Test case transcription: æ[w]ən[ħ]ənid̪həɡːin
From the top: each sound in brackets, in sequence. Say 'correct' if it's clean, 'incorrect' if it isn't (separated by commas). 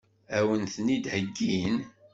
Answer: correct, incorrect